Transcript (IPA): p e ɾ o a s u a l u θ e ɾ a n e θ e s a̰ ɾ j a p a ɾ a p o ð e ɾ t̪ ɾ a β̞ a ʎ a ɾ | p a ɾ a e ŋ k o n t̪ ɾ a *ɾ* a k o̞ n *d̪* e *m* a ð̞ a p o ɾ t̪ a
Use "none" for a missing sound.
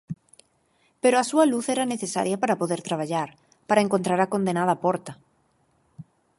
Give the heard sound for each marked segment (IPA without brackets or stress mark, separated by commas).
ɾ, d̪, n